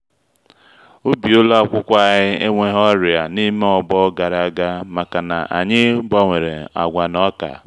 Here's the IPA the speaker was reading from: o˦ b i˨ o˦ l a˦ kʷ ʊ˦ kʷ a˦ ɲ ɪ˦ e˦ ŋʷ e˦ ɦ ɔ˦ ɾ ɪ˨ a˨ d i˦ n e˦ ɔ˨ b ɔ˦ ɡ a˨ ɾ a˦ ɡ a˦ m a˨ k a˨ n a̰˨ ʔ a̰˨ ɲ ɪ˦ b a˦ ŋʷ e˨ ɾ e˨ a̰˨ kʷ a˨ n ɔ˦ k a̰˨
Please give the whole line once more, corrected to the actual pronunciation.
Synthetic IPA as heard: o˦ b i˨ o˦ l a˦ kʷ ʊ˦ kʷ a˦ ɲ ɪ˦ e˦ ŋʷ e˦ ɦ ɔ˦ ɾ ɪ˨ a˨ n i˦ m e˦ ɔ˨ b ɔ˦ ɡ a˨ ɾ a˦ ɡ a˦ m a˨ k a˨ n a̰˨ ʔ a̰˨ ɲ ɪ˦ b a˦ ŋʷ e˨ ɾ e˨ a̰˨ ɡʷ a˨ n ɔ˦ k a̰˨